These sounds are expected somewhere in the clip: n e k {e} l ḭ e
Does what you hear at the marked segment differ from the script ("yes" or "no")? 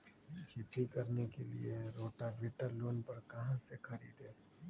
no